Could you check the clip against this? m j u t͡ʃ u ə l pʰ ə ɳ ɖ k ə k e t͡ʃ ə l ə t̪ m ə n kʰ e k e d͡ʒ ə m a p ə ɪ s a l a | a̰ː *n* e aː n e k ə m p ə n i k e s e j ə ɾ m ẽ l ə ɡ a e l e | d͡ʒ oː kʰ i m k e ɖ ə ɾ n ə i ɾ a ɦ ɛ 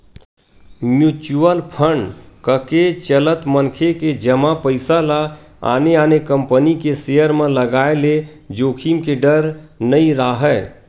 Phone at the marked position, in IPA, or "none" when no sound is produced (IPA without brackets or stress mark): n